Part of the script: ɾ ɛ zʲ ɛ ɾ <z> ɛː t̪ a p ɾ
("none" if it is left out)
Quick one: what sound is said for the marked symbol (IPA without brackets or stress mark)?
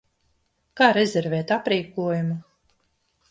v